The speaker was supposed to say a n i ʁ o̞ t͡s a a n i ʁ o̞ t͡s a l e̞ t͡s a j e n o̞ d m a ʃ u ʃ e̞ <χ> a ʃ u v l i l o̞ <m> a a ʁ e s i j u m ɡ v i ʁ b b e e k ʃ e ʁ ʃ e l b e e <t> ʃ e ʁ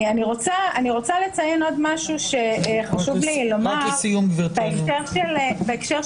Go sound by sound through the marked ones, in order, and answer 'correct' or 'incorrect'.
correct, correct, incorrect: k

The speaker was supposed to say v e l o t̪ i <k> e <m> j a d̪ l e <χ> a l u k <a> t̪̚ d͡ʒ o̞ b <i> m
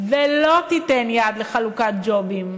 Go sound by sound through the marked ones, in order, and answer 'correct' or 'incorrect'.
incorrect: t, incorrect: n, correct, correct, correct

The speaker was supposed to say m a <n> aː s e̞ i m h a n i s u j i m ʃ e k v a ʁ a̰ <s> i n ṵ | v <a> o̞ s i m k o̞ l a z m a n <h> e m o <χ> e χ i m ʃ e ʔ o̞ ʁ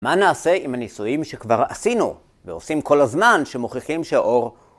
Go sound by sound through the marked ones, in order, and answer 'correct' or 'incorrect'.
correct, correct, incorrect: e, incorrect: ʃ, correct

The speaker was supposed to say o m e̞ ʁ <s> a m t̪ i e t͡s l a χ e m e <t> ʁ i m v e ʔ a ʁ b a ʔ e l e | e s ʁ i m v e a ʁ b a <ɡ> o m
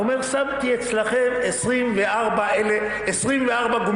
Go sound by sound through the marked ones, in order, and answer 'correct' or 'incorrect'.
correct, incorrect: s, correct

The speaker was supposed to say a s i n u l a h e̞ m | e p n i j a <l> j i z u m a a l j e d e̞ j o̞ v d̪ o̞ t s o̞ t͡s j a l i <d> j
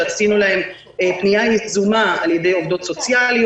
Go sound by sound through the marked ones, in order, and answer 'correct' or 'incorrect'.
incorrect: none, incorrect: none

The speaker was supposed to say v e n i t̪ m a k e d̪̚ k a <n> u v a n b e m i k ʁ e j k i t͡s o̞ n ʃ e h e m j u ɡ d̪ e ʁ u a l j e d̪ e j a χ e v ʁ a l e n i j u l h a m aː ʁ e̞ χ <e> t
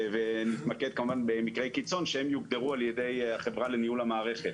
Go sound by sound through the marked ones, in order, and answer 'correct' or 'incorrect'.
incorrect: m, correct

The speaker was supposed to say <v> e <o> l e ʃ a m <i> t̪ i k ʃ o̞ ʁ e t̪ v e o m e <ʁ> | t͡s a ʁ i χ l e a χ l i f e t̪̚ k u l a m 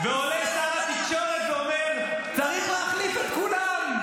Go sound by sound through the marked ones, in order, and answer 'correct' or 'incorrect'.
correct, correct, incorrect: a, correct

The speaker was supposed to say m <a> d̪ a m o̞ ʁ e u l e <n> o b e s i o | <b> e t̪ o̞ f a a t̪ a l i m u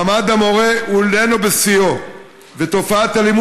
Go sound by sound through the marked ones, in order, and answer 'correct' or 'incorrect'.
correct, correct, incorrect: v

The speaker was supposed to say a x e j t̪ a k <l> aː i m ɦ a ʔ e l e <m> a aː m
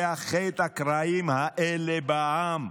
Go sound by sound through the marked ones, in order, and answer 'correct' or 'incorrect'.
incorrect: ɾ, incorrect: b

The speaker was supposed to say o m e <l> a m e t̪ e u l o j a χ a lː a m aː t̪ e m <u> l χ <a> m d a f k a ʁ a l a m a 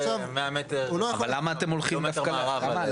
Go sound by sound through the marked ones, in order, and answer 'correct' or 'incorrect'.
incorrect: none, incorrect: o, incorrect: i

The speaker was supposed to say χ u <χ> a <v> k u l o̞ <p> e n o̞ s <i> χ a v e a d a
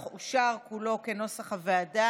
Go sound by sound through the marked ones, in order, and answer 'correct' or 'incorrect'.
incorrect: ʃ, incorrect: ʁ, incorrect: k, incorrect: a

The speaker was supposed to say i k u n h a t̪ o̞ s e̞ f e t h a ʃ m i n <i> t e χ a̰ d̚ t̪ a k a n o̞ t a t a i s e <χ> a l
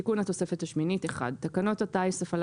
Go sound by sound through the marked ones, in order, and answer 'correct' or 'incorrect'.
correct, incorrect: f

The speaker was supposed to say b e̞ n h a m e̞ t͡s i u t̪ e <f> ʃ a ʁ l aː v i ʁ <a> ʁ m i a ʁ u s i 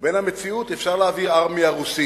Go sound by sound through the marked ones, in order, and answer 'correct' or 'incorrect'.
correct, correct

